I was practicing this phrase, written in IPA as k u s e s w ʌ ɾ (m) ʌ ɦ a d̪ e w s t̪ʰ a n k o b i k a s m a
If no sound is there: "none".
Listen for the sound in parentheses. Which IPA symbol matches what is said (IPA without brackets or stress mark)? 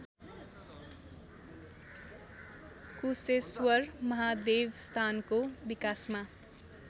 m